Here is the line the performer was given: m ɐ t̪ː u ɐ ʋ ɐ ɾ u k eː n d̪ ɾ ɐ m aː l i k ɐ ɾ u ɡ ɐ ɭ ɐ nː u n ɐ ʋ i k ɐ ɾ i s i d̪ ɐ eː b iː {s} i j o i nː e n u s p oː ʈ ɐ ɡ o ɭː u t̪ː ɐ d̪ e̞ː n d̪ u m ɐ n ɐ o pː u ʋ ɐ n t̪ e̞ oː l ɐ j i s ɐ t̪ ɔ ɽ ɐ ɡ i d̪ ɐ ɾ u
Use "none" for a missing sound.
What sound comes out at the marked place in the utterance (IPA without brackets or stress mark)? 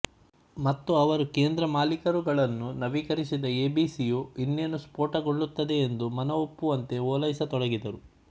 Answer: s